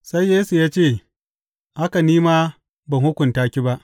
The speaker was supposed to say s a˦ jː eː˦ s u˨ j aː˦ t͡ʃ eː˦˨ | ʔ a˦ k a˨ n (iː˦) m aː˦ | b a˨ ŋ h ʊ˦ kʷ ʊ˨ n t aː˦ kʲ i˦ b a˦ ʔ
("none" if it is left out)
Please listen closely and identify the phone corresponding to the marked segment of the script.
iː˦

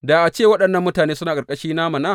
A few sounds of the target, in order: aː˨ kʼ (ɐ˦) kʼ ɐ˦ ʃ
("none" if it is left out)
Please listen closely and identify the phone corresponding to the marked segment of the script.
ɐ˨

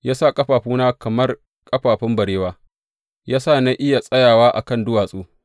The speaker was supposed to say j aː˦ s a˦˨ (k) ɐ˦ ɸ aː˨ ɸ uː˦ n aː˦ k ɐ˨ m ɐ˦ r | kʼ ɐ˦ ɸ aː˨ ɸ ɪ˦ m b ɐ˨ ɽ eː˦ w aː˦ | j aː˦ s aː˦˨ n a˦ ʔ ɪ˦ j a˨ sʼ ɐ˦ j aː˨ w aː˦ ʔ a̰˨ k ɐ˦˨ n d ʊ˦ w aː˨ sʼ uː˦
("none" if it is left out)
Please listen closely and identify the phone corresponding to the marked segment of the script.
kʼ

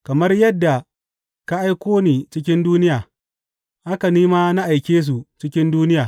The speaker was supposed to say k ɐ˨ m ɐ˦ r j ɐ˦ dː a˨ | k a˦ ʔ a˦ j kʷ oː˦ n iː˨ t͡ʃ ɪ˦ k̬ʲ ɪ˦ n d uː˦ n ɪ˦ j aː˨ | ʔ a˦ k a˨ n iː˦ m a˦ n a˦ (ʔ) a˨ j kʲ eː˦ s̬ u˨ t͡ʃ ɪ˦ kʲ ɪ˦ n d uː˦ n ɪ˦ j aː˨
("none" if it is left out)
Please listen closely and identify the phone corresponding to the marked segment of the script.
ʔ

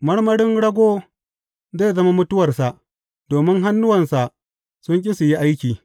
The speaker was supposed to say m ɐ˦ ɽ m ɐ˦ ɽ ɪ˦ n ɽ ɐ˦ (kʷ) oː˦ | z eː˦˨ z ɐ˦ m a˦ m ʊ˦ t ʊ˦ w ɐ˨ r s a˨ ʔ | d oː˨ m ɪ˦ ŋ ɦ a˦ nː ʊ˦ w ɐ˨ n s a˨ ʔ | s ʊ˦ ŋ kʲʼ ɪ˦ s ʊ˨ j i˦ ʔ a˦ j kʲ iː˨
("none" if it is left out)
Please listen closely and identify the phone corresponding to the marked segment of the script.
ɡʷ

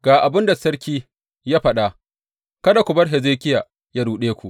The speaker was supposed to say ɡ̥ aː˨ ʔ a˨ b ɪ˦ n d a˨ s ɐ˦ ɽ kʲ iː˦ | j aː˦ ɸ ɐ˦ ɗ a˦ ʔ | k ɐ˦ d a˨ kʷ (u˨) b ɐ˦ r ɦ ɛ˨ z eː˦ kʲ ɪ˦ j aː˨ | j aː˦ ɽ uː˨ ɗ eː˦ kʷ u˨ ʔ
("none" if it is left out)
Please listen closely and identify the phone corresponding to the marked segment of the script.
ʊ˨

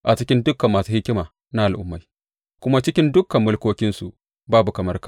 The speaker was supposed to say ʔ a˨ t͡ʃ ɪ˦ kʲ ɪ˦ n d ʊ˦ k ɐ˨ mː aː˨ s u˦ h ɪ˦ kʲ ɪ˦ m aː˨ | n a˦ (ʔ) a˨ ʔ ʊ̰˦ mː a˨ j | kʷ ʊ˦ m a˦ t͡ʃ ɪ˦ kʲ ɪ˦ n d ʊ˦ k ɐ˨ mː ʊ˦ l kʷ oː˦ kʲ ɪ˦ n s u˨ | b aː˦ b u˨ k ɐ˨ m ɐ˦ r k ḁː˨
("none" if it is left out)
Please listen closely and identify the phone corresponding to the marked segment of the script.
ʔ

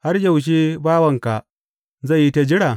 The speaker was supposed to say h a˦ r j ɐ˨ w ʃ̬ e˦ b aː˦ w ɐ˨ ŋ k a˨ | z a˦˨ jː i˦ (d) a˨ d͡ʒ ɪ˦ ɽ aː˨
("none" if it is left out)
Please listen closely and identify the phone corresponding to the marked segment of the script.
t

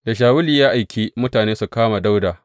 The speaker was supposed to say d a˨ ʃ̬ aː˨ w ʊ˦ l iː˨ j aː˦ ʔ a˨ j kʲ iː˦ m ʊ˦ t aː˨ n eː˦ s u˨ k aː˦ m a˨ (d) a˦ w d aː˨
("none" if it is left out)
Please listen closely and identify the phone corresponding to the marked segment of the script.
d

